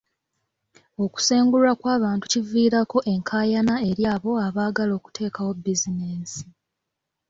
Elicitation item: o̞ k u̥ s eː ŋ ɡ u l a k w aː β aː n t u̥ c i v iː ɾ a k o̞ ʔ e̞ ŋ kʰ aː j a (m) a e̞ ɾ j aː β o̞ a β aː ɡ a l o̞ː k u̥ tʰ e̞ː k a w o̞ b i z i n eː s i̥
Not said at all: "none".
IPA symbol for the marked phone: n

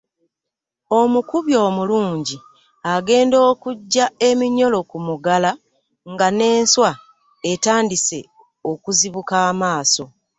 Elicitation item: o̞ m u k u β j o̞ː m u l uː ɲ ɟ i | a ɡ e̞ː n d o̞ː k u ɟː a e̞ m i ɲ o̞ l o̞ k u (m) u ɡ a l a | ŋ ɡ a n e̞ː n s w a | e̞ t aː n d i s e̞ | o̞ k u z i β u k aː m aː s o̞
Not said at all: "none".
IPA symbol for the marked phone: m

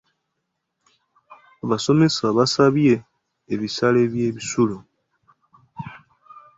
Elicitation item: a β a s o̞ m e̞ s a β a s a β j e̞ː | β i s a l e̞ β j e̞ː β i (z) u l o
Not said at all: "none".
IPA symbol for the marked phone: s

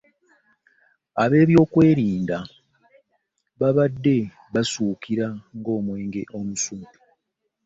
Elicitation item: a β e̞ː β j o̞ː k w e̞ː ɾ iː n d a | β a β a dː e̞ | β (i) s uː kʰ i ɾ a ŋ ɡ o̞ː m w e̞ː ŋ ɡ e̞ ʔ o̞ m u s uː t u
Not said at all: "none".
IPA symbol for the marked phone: a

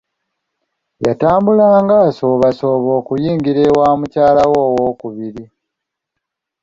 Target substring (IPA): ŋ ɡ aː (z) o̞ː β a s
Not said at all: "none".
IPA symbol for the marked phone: s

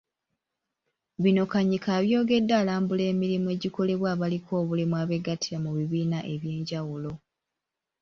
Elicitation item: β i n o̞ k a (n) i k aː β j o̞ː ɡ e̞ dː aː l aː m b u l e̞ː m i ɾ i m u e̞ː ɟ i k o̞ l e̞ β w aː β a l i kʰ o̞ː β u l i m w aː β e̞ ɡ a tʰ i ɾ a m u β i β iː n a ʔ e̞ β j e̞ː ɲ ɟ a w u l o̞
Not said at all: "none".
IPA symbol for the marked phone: ɲ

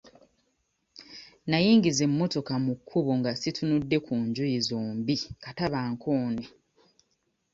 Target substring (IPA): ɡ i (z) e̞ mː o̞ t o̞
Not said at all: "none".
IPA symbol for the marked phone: z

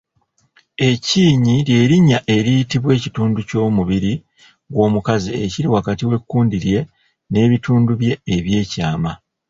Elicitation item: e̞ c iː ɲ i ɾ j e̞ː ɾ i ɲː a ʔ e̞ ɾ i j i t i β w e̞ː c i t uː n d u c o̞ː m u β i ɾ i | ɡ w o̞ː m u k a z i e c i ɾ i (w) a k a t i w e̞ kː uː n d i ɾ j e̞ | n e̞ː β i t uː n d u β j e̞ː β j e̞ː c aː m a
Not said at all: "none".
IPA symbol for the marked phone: w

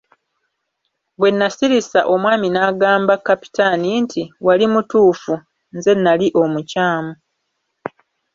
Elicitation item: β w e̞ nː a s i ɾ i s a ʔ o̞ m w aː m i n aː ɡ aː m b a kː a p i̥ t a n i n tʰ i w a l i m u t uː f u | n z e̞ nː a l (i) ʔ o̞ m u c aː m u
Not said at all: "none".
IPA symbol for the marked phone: i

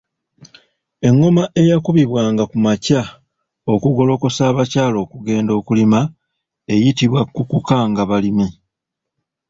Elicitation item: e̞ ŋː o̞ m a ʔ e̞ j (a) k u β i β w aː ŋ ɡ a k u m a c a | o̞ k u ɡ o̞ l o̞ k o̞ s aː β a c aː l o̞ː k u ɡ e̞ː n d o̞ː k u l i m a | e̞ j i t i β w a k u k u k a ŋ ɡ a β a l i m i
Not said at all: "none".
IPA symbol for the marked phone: a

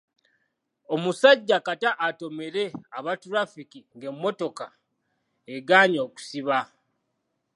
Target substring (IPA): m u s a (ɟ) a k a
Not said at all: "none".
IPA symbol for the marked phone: ɟː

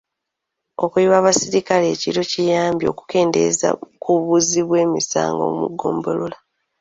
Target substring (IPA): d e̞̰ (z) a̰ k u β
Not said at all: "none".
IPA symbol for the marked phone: z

